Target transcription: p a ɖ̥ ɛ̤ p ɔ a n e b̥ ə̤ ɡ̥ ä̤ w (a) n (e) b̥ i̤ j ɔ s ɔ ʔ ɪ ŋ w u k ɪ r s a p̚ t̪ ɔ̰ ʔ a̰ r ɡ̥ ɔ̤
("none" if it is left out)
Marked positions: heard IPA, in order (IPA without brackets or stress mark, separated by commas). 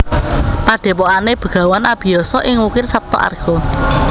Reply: a, a